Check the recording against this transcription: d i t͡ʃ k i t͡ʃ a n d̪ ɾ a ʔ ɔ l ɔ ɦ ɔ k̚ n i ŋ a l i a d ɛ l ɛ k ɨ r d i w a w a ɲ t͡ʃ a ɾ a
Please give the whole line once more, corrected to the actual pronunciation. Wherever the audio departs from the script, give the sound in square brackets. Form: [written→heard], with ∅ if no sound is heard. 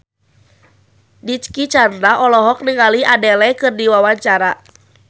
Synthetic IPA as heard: d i t͡ʃ k i t͡ʃ a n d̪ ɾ a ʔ ɔ l ɔ ɦ ɔ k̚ n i ŋ a l i a d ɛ l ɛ k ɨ r d i w a w a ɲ t͡ʃ a ɾ a